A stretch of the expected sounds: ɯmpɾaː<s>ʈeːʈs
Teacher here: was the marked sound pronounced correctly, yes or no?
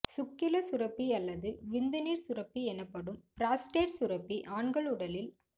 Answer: yes